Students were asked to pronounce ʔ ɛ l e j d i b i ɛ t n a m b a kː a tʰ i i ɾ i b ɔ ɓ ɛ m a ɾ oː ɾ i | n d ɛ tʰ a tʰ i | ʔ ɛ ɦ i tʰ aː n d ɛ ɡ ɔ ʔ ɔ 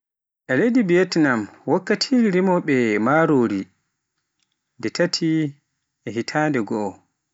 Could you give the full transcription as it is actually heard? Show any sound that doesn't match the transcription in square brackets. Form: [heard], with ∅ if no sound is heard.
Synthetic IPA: ʔ ɛ l e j d i b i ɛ t n a m [w] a kː a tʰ i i ɾ i [m] ɔ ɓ ɛ m a ɾ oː ɾ i | n d ɛ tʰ a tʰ i | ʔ ɛ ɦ i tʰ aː n d ɛ ɡ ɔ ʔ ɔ

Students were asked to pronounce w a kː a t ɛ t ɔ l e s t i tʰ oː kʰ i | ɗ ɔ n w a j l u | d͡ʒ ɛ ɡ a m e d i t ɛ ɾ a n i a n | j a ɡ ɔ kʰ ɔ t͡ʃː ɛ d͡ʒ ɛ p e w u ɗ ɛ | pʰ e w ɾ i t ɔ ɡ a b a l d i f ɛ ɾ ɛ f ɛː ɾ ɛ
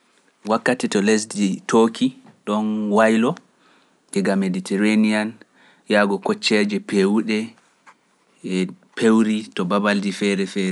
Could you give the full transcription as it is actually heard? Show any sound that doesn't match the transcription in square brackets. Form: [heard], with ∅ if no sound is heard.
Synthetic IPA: w a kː a t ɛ t ɔ l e s [d] i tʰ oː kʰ i | ɗ ɔ n w a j l [ɔ] | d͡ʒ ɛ ɡ a m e d i t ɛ ɾ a n i a n | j a ɡ ɔ [k] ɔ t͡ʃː ɛ d͡ʒ ɛ p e w u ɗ ɛ | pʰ e w ɾ i t ɔ [b] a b a l d i f ɛ ɾ ɛ f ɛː ɾ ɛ

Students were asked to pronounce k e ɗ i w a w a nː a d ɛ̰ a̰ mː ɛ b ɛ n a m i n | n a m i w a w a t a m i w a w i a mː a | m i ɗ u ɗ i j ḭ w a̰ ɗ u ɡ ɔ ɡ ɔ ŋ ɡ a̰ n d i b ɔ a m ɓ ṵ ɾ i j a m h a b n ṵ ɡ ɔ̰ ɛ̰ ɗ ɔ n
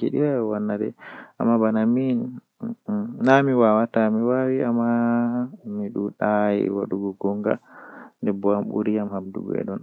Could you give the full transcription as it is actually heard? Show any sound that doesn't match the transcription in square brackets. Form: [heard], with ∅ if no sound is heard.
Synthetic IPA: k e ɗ i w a w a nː a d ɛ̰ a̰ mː [a] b [a] n a m i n | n a m i w a w a t a m i w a w i a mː a | m i ɗ u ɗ [a] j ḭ w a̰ ɗ u ɡ ɔ ɡ ɔ ŋ ɡ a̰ n d [ɛ] b ɔ a m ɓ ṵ ɾ i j a m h a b [d] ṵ ɡ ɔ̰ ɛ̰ ɗ ɔ n

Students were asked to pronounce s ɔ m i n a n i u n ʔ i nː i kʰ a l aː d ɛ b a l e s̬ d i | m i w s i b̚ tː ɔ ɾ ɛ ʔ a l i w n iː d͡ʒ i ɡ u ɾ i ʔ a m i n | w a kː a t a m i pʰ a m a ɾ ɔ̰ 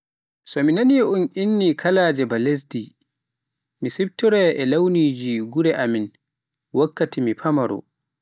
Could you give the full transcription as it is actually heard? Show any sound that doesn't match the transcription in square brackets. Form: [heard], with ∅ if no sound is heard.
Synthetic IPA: s ɔ m i n a n i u n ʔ i nː i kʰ a l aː [d͡ʒ] ɛ b a l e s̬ d i | m i [∅] s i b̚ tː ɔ ɾ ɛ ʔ [ɛ] l [a] w n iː d͡ʒ i ɡ u ɾ [ɛ] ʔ a m i n | w a kː a t [i] m i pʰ a m a ɾ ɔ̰

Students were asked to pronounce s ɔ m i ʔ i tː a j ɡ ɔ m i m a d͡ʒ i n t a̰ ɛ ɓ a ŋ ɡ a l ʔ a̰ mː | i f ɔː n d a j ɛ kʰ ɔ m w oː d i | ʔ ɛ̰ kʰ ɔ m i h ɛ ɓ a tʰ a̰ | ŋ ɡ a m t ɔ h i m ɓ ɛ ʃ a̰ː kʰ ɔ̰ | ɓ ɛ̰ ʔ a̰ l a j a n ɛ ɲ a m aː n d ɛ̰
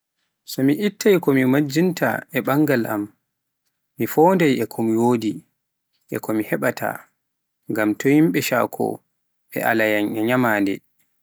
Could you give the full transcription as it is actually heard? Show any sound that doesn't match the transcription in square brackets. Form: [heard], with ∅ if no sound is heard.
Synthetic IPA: s ɔ m i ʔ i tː a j [k] ɔ m i m a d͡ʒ i n t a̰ ɛ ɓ a ŋ ɡ a l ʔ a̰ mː | i f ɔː n d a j ɛ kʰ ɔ m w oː d i | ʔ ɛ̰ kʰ ɔ m i h ɛ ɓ a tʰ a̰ | ŋ ɡ a m t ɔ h i m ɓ ɛ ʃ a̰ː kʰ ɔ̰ | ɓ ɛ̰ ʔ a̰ l a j a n ɛ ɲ a m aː n d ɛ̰

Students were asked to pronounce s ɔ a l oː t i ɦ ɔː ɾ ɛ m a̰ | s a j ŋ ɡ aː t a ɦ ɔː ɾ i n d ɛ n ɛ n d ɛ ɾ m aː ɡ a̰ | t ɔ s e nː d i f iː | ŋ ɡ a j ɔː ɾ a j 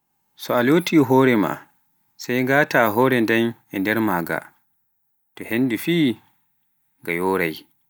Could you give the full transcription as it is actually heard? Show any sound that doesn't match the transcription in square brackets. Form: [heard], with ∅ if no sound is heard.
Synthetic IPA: s ɔ a l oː t i ɦ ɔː ɾ ɛ m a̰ | s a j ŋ ɡ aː t a ɦ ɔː ɾ [ɛ] n d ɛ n ɛ n d ɛ ɾ m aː ɡ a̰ | t ɔ [h] e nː d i f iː | ŋ ɡ a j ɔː ɾ a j

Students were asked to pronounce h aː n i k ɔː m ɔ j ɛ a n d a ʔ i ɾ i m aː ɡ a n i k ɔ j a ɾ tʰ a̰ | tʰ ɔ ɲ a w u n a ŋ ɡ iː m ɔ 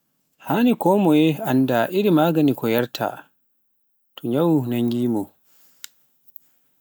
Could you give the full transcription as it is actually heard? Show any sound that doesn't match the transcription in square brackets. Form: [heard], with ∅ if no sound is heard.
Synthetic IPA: h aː n i k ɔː m ɔ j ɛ a n d a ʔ i ɾ i m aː ɡ a n i k ɔ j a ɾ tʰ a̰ | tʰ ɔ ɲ a w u n a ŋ ɡ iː m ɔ

